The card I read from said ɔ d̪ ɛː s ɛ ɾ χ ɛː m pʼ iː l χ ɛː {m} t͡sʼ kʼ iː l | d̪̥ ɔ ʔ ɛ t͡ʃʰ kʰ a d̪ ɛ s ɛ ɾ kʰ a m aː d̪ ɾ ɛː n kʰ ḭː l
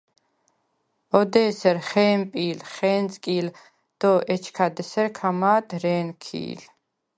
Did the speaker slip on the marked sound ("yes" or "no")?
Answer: yes